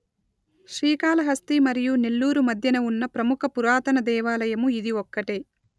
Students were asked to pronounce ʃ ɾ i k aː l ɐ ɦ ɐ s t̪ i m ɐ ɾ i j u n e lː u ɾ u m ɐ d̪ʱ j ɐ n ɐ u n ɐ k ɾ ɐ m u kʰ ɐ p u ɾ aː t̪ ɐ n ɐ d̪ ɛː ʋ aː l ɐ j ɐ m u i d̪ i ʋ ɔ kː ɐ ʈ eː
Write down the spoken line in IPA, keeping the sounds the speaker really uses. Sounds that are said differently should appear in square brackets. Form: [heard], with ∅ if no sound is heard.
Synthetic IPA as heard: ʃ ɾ [iː] k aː l ɐ ɦ ɐ s t̪ i m ɐ ɾ i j u n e lː [uː] ɾ u m ɐ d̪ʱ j ɐ n ɐ u [nː] ɐ [p] ɾ ɐ m u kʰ ɐ p u ɾ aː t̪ ɐ n ɐ d̪ ɛː ʋ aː l ɐ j ɐ m u i d̪ i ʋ ɔ kː ɐ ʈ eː